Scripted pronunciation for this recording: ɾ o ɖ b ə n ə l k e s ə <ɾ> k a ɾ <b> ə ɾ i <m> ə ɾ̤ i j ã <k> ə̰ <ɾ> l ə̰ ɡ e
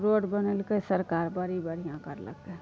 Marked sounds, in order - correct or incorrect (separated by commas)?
correct, correct, incorrect, correct, correct